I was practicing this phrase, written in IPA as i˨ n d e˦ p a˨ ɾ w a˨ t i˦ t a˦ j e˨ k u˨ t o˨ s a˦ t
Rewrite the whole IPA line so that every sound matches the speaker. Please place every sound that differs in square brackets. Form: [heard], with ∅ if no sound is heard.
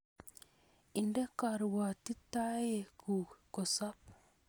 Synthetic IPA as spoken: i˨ n d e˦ [k] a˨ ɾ w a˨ t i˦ t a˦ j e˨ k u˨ [k] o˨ s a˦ [p]